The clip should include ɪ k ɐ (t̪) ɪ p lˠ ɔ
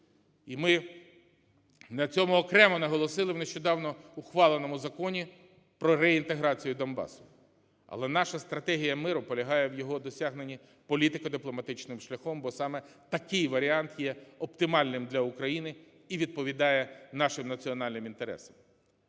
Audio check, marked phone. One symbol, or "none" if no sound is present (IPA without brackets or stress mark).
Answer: d̪